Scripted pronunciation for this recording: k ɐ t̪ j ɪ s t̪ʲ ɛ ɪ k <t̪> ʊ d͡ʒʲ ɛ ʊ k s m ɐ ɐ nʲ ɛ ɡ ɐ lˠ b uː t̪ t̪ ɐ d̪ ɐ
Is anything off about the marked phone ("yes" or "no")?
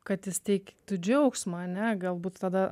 no